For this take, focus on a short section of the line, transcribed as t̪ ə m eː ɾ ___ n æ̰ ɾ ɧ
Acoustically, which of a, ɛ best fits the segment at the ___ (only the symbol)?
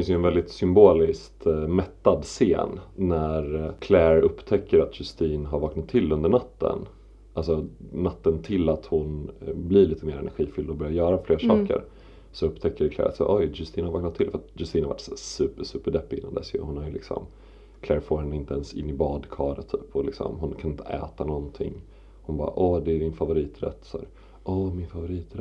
ɛ